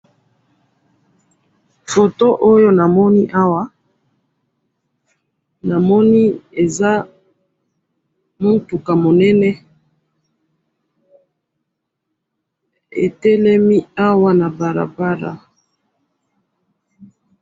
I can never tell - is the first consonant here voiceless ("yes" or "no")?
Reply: yes